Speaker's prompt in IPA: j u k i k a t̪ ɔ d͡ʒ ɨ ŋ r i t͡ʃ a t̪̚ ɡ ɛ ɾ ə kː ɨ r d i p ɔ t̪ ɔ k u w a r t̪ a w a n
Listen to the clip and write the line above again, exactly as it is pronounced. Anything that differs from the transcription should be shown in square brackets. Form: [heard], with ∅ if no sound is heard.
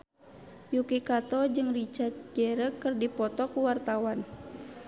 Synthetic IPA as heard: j u k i k a t̪ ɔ d͡ʒ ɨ ŋ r i t͡ʃ a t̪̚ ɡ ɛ ɾ ə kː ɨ r d i p ɔ t̪ ɔ k u w a r t̪ a w a n